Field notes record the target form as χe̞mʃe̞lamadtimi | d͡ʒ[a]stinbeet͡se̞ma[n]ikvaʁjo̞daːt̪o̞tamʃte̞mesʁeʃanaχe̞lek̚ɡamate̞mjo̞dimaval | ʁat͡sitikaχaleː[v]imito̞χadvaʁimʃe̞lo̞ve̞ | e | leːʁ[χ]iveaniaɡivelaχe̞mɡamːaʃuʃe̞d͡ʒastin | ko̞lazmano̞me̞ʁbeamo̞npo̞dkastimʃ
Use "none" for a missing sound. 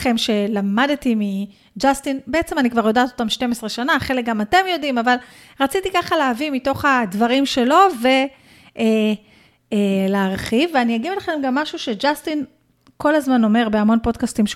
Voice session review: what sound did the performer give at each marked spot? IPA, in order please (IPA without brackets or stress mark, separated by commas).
a, n, v, χ